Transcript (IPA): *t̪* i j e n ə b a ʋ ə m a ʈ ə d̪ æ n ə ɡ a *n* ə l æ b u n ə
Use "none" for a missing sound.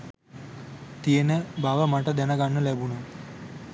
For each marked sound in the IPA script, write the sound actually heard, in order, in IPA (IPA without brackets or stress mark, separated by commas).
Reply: t̪, nː